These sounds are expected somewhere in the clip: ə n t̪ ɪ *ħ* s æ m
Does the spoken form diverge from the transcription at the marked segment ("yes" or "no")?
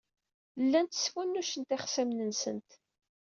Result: yes